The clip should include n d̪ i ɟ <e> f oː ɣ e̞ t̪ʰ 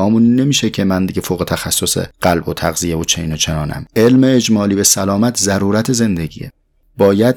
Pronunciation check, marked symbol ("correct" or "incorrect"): correct